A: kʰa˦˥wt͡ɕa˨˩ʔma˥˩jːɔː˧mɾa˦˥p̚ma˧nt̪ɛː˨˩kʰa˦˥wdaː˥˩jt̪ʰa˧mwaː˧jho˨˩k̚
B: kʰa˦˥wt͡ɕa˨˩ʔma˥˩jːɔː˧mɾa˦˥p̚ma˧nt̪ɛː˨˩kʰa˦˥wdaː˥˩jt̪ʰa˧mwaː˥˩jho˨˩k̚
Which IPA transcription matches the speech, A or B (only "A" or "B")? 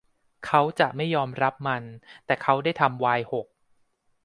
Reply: A